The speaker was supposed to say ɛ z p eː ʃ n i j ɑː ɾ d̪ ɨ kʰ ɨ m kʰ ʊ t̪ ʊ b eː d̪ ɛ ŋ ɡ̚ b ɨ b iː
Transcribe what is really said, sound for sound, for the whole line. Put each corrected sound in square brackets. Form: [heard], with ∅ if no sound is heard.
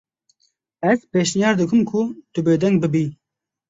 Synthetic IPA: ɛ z p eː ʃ n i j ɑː ɾ d̪ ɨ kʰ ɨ m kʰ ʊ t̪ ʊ b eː d̪ ɛ ŋ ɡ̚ b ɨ b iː